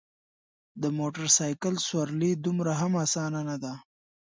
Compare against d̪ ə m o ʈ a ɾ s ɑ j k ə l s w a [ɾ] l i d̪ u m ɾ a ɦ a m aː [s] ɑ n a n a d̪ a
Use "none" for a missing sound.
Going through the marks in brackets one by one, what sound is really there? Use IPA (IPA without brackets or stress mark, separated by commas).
ɾ, s